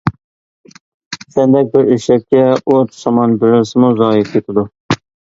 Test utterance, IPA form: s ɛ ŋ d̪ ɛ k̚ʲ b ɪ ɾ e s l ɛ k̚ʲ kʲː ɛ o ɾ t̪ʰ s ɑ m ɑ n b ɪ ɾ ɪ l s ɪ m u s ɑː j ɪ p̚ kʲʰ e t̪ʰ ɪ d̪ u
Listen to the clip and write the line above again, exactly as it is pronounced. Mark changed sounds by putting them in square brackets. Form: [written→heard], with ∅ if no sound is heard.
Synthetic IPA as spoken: s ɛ [ŋ→n] d̪ ɛ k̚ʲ b ɪ ɾ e [s→ʃ] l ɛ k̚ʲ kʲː ɛ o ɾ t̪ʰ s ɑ m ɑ n b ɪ ɾ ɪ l s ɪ m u [s→z] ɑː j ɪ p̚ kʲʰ e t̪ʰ ɪ d̪ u